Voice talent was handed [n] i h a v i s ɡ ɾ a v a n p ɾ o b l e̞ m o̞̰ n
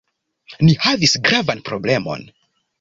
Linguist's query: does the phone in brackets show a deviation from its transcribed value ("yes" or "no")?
no